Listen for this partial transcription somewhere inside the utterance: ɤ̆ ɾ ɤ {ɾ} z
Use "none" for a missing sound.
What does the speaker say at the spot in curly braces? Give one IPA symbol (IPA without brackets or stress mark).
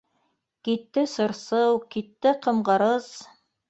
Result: none